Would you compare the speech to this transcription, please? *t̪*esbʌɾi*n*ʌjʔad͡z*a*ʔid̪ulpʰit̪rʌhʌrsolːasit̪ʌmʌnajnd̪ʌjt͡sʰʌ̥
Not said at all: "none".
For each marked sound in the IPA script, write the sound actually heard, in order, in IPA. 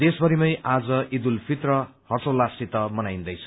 d̪, m, ʌ

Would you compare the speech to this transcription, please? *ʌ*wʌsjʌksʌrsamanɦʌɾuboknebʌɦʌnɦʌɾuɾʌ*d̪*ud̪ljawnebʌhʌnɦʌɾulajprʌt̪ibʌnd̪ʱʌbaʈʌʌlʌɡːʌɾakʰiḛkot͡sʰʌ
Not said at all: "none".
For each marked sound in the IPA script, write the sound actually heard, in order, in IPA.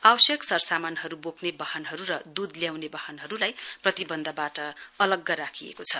a, d̪

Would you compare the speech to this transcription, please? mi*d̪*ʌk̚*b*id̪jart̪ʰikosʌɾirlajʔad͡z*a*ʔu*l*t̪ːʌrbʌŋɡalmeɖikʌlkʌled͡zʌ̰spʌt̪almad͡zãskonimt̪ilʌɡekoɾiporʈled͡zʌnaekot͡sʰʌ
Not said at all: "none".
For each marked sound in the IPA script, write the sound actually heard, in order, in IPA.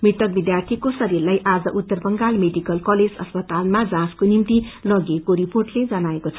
t̪, b, ʌ, none

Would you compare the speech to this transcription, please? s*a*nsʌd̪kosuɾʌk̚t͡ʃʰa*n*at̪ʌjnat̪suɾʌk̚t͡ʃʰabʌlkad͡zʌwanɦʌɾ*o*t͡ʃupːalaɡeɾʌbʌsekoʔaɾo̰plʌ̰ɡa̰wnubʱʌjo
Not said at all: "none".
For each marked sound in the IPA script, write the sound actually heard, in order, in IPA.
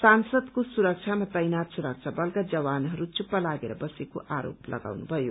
a, m, u

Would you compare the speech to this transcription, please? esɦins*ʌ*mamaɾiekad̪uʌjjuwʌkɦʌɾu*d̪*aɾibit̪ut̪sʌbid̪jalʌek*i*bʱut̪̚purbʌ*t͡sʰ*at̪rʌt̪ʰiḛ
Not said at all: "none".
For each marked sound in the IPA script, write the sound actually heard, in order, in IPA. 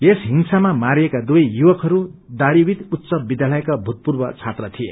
a, d̪, a, t͡sʰ

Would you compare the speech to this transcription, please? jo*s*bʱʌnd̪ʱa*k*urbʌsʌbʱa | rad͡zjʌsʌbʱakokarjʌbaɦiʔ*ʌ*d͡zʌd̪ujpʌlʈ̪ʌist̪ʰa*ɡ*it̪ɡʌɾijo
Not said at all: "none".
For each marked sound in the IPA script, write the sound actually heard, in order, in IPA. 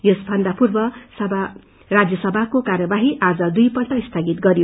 s, p, a, ɡ

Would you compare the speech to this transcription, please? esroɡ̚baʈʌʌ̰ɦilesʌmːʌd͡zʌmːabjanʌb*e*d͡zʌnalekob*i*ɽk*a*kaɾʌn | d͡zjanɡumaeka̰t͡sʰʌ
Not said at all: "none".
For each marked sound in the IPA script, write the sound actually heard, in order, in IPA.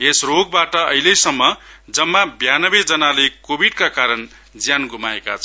e, i, a

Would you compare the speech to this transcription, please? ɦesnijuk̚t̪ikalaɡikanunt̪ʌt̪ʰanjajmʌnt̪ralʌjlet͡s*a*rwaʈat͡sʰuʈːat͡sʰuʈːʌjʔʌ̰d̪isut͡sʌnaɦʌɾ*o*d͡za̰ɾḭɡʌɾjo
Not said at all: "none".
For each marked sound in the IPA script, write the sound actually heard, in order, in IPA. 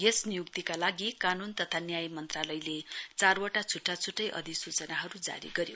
a, u

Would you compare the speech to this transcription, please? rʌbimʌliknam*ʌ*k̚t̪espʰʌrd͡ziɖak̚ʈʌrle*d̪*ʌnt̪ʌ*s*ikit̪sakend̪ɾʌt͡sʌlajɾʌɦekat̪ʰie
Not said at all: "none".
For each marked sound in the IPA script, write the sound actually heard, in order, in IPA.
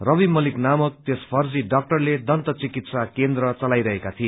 ʌ, d̪, t͡s

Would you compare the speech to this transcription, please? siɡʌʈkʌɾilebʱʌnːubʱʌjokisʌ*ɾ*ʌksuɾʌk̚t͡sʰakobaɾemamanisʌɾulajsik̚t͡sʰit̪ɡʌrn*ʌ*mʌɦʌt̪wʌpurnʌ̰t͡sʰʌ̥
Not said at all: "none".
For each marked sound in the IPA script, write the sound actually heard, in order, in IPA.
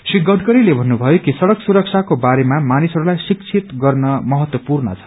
ɽ, ʌ

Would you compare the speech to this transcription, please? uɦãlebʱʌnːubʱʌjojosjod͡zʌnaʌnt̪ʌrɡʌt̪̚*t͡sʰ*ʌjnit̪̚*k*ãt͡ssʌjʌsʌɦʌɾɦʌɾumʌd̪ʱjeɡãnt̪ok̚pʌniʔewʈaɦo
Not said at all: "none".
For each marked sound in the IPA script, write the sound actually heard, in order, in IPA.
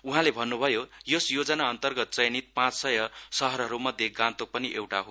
t͡s, p

